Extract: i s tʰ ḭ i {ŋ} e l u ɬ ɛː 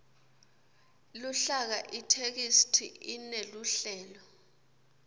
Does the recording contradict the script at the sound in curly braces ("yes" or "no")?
yes